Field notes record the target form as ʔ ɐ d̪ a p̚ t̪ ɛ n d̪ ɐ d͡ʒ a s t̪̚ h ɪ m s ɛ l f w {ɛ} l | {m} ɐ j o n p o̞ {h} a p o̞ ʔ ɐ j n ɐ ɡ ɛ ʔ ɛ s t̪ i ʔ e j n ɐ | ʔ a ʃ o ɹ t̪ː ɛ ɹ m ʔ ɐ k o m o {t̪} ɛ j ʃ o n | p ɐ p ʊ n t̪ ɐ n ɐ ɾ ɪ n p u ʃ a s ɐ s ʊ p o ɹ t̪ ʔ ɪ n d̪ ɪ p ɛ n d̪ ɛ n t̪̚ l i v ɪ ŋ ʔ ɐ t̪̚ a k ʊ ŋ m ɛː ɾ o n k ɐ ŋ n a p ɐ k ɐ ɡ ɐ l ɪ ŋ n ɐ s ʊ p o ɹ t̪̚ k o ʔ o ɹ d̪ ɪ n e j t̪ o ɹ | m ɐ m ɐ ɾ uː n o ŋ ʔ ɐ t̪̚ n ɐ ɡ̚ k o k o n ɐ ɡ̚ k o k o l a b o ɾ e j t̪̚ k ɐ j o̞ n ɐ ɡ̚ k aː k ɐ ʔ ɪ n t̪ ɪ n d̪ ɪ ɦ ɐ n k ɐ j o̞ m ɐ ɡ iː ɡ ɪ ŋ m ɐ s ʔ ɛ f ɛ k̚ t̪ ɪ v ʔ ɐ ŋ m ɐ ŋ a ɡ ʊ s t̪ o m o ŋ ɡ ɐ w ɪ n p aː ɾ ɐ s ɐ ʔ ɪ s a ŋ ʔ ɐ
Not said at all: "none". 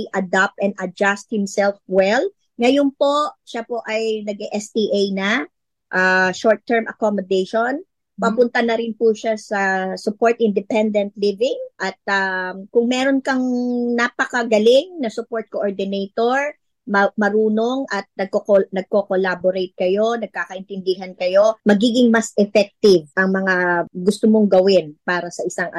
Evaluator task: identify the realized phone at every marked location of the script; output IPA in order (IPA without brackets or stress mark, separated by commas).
ɛ, ŋ, ʃ, d̪